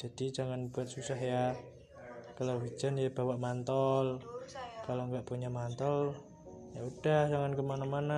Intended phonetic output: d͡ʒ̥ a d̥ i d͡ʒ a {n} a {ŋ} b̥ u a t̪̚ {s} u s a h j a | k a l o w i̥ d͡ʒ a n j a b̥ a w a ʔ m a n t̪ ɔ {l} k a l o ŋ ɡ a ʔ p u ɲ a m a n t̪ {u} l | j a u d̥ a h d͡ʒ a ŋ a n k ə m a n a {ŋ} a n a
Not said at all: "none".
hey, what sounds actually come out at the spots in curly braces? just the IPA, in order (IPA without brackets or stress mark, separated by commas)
ŋ, n, s, l, ɔ, m